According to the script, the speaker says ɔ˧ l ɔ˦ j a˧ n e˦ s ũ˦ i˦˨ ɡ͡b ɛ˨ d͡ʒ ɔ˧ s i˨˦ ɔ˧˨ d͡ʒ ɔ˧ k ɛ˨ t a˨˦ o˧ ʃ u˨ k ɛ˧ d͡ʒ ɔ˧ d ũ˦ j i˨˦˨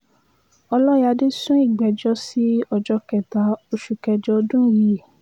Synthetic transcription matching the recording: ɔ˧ l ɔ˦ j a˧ d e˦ s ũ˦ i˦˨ ɡ͡b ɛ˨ d͡ʒ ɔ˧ s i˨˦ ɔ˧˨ d͡ʒ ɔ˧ k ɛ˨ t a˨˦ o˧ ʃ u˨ k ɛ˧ d͡ʒ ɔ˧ d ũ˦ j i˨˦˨